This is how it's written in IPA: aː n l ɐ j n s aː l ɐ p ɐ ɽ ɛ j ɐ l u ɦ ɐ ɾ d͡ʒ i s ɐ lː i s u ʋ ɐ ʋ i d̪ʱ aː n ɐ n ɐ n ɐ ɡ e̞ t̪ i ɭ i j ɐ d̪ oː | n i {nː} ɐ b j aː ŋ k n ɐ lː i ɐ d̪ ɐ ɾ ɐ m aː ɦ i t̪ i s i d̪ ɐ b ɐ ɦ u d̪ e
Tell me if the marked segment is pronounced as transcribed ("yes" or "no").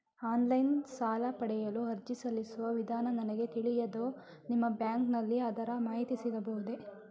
no